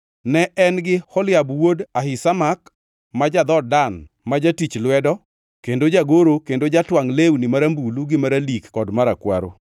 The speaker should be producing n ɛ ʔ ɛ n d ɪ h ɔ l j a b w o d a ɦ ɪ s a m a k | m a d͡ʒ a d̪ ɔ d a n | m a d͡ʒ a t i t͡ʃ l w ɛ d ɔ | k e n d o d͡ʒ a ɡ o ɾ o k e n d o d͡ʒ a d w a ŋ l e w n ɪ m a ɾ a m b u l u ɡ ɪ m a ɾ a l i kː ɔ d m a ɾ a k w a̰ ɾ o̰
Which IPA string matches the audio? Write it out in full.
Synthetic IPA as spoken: n ɛ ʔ ɛ n ɡ ɪ h ɔ l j a b w o d a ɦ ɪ s a m a k | m a d͡ʒ a d̪ ɔ d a n | m a d͡ʒ a t i t͡ʃ l w ɛ d ɔ | k e n d o d͡ʒ a ɡ o ɾ o k e n d o d͡ʒ a t w a ŋ l e w n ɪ m a ɾ a m b u l u ɡ ɪ m a ɾ a l i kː ɔ d m a ɾ a k w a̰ ɾ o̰